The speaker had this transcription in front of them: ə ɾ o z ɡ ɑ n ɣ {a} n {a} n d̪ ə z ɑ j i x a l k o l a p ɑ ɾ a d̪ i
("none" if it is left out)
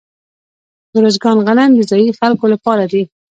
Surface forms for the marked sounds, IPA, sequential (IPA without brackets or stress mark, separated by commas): a, a